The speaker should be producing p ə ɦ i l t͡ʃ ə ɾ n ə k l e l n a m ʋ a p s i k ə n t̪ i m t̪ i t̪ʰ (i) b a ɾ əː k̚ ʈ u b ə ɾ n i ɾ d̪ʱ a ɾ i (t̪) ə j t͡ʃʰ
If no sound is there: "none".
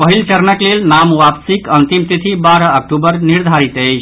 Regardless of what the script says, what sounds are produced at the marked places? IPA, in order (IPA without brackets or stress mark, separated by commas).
i, t̪